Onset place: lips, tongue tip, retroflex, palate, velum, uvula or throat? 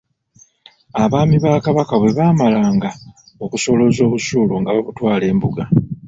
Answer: lips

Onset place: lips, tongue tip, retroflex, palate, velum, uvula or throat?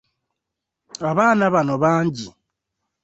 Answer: lips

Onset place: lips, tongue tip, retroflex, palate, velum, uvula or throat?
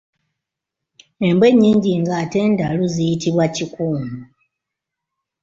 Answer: lips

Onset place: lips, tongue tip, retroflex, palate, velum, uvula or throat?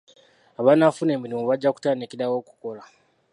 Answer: lips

